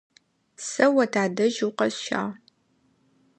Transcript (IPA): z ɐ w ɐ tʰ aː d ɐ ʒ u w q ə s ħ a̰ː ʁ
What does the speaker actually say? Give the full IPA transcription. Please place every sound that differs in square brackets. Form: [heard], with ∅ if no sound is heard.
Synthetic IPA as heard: [s] ɐ w ɐ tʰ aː d ɐ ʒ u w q [ɐ] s [ʃ] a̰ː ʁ